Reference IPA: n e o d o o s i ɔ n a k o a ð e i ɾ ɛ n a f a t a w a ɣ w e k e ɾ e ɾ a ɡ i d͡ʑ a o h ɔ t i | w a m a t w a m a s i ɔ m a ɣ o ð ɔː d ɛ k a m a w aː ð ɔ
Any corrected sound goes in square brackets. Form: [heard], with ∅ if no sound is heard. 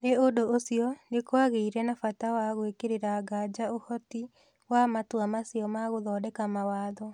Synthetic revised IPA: n e o d o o s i ɔ n [e] k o a [ɣ] e i ɾ ɛ n a f a t a w a ɣ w e k e ɾ e ɾ a ɡ [a] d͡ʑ a o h ɔ t i | w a m a t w a m a s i ɔ m a ɣ o ð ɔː d ɛ k a m a w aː ð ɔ